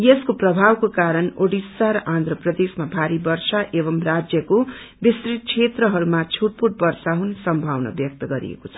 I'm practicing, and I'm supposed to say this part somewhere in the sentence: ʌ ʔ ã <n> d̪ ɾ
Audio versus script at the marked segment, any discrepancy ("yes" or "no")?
no